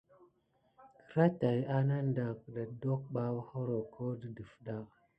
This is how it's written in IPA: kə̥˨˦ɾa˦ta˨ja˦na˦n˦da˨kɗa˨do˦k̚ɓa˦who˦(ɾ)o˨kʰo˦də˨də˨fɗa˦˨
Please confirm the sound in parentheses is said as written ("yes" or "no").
yes